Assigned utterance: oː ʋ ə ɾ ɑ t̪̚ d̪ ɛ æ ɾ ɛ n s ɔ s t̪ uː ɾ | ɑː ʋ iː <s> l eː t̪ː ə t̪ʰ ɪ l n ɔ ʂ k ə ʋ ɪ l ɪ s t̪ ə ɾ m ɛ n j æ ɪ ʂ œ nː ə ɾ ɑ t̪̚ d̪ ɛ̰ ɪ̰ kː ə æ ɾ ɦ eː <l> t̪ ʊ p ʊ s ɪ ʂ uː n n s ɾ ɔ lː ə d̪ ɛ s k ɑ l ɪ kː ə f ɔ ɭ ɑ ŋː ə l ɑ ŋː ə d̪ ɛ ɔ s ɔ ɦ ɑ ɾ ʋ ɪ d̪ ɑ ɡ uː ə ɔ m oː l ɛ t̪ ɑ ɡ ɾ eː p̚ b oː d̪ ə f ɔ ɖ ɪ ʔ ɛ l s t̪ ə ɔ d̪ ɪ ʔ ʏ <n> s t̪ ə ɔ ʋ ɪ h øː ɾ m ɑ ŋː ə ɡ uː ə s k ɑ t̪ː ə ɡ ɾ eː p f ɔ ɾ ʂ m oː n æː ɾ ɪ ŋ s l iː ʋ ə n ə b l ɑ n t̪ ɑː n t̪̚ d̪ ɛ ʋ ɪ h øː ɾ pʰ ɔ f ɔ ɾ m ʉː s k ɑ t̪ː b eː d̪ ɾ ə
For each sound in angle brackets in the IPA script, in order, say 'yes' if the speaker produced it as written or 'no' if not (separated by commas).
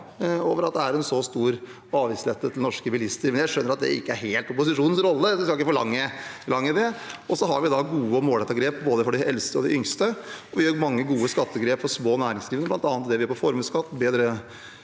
yes, yes, no